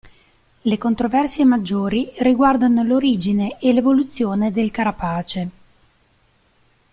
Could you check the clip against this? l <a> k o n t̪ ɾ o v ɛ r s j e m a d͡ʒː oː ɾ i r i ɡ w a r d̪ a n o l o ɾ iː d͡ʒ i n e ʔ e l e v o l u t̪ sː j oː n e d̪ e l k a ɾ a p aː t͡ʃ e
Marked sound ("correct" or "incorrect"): incorrect